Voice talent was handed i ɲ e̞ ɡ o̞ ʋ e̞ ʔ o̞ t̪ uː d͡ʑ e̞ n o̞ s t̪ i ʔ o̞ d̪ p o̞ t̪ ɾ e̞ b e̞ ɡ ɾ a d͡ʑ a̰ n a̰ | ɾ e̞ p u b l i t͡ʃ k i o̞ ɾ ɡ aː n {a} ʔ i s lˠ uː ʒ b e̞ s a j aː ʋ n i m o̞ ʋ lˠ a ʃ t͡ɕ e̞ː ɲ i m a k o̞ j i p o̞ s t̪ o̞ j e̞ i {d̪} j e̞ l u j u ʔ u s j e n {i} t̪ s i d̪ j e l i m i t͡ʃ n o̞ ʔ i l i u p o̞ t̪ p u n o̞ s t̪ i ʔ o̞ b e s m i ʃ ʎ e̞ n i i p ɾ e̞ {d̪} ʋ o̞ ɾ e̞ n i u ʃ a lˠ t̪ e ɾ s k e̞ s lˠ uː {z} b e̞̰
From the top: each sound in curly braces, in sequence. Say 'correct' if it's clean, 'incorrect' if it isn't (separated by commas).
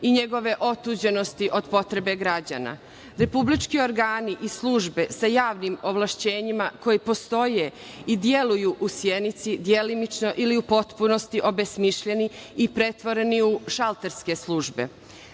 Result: incorrect, correct, correct, incorrect, incorrect